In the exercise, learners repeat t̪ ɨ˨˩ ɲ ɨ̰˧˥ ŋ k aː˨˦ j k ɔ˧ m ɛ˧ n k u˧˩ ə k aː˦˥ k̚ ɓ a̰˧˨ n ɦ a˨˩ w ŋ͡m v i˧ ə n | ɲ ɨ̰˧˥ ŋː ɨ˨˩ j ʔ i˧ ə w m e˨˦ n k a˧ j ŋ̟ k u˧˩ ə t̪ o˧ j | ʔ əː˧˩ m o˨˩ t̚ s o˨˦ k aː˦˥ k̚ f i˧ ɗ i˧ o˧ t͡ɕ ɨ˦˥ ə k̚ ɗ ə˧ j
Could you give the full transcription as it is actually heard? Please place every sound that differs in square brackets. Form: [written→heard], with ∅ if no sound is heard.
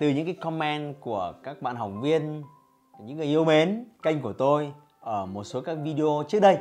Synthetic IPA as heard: t̪ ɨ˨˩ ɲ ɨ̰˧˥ ŋ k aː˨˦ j k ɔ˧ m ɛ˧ n k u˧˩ ə k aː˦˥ k̚ ɓ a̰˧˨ n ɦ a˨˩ w ŋ͡m v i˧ ə n | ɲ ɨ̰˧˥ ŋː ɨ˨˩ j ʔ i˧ ə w m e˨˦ n k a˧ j ŋ̟ k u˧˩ ə t̪ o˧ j | ʔ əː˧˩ m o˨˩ t̚ s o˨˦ k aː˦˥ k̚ [f→v] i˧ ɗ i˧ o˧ t͡ɕ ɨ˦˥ ə k̚ ɗ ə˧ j